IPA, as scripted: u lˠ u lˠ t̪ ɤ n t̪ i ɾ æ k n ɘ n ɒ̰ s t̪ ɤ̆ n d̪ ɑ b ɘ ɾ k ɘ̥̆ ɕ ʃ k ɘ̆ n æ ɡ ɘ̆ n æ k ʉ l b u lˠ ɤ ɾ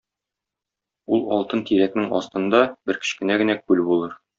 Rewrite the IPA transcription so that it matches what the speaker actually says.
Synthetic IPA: u lˠ ɒ lˠ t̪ ɤ n t̪ i ɾ æ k n ɘ ŋ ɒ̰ s t̪ ɤ̆ n d̪ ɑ b ɘ ɾ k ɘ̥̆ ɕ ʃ k ɘ̆ n æ ɡ ɘ̆ n æ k ʉ l b u lˠ ɤ ɾ